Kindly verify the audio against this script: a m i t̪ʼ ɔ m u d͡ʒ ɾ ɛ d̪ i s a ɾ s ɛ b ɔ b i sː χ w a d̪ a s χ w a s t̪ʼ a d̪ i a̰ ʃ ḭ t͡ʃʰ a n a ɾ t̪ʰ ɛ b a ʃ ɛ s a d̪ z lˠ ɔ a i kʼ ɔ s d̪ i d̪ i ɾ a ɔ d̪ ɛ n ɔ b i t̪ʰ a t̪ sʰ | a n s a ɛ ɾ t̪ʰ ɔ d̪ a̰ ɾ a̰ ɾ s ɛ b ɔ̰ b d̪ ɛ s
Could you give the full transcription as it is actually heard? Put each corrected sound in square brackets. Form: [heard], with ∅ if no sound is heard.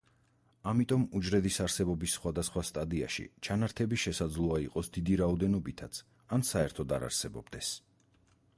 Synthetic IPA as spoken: a m i t̪ʼ ɔ m u d͡ʒ ɾ ɛ d̪ i s a ɾ s ɛ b ɔ b i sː χ w a d̪ a s χ w a s t̪ʼ a d̪ i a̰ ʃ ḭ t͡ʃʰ a n a ɾ t̪ʰ ɛ b [i] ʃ ɛ s a d̪ z lˠ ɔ a i [qʼ] ɔ s d̪ i d̪ i ɾ a ɔ d̪ ɛ n ɔ b i t̪ʰ a t̪ sʰ | a n s a ɛ ɾ t̪ʰ ɔ d̪ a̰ ɾ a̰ ɾ s ɛ b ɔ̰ b d̪ ɛ s